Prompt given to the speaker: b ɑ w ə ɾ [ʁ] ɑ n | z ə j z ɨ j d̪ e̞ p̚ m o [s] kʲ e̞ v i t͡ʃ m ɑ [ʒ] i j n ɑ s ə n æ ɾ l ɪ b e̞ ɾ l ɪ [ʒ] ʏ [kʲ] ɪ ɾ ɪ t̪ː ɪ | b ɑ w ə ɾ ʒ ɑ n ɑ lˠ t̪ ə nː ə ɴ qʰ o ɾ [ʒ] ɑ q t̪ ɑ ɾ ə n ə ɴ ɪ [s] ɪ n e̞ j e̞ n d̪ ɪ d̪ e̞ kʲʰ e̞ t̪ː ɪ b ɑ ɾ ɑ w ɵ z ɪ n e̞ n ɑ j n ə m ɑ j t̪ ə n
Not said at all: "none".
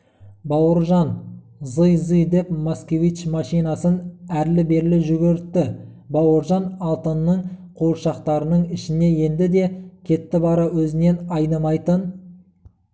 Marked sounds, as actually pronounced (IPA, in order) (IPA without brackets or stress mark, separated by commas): ʒ, s, ʃ, ʒ, ɡʲ, ʃ, ʃ